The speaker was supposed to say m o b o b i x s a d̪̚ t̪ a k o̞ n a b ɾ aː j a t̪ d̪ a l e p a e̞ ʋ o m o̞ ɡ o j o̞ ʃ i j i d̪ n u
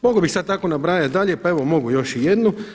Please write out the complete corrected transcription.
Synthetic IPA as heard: m o ɡ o b i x s a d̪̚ t̪ a k o̞ n a b ɾ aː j a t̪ d̪ a ʎ e p a e̞ ʋ o m o̞ ɡ u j o̞ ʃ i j e d̪ n u